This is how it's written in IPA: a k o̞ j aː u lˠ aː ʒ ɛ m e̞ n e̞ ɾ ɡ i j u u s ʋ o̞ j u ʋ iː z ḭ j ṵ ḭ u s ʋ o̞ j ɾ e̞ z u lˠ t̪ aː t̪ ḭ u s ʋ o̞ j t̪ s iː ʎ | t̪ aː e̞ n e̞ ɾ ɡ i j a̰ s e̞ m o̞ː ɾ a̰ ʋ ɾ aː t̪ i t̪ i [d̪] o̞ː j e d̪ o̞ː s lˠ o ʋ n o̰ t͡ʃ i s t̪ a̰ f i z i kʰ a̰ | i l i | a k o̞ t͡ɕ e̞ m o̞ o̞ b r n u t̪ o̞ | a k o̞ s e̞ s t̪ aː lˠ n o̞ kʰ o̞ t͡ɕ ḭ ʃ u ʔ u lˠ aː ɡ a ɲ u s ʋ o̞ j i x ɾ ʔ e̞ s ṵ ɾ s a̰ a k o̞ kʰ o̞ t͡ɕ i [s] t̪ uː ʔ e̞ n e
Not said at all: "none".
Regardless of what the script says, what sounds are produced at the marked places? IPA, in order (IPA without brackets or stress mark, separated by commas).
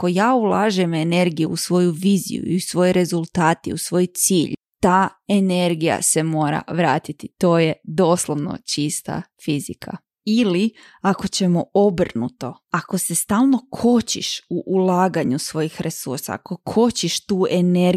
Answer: t̪, ʃ